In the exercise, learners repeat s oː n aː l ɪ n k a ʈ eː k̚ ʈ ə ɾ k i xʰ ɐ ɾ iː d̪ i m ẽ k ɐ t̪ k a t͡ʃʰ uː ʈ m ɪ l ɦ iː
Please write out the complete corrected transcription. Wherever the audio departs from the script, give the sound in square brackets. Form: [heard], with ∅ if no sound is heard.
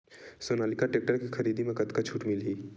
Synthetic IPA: s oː n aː l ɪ [∅] k a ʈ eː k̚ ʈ ə ɾ k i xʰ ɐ ɾ iː d̪ i m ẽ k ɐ t̪ k a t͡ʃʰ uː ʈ m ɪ l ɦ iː